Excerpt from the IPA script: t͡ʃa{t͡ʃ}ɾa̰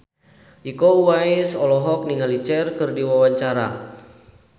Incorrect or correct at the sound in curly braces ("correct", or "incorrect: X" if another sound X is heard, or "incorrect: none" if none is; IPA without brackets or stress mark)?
incorrect: none